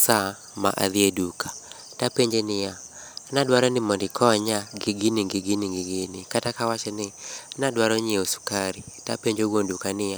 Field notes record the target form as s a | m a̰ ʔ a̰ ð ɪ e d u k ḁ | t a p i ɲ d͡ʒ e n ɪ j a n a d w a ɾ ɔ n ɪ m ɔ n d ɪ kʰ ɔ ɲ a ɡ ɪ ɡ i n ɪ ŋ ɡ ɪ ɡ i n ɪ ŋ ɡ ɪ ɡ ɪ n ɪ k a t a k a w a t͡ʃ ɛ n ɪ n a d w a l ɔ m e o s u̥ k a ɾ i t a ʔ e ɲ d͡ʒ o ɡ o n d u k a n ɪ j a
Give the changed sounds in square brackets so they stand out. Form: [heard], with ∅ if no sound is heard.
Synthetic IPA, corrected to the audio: s a | m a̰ ʔ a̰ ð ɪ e d u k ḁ | t a p [e] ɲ d͡ʒ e n ɪ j a n a d w a ɾ ɔ n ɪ m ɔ n d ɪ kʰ ɔ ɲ a ɡ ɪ ɡ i n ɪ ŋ ɡ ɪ ɡ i n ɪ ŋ ɡ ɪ ɡ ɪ n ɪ k a t a k a w a t͡ʃ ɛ n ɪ n a d w a [ɾ] ɔ [ɲ] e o s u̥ k a ɾ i t a [p] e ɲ d͡ʒ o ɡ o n d u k a n ɪ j a